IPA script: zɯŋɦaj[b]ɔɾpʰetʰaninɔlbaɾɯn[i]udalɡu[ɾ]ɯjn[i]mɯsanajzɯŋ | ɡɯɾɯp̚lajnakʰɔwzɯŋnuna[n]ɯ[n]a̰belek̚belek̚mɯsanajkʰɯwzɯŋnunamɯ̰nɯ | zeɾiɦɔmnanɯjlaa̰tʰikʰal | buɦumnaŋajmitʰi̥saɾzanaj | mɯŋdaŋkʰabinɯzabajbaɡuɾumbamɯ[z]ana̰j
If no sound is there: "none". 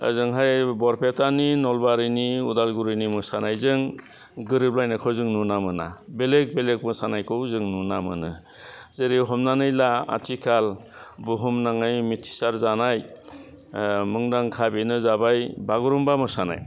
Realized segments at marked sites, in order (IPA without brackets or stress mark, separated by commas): b, i, ɾ, i, m, n, s